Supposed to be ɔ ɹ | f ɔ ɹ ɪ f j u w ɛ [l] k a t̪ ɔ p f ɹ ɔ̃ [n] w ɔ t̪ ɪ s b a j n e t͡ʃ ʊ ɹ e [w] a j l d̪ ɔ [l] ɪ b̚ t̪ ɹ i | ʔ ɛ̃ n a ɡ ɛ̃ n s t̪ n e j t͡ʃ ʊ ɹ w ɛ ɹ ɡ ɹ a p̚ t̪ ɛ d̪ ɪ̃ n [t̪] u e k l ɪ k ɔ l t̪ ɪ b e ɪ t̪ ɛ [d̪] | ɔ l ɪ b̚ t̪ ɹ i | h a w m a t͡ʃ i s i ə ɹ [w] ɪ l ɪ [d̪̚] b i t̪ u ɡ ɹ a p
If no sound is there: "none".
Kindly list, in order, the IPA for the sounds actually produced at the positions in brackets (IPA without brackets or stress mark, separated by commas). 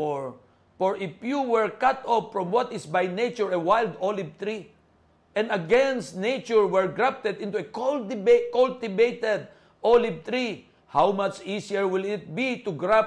ɹ, m, w, l, t̪, d̪, w, t̪̚